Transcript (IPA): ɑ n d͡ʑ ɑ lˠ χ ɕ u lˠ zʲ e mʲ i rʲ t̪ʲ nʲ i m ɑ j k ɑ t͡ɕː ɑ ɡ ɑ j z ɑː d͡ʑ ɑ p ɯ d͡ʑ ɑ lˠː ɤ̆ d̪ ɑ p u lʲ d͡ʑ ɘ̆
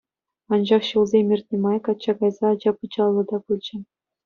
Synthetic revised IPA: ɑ n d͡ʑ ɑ χ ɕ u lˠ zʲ e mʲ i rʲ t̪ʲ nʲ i m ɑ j k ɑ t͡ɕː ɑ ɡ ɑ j z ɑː d͡ʑ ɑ p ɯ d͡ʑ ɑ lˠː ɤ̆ d̪ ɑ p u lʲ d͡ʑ ɘ̆